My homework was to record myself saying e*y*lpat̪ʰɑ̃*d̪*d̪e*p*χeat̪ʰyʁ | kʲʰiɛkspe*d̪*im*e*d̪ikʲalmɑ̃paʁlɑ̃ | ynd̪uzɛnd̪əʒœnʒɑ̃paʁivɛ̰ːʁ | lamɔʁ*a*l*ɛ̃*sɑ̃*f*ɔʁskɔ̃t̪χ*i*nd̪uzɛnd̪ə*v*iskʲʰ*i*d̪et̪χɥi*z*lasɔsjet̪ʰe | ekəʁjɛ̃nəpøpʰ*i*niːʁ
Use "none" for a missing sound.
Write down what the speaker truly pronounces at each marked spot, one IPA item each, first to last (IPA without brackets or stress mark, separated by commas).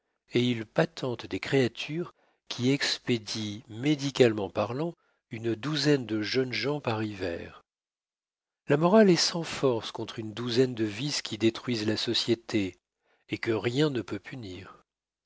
i, t̪, k, d̪, e, a, ɛ, f, y, v, i, z, y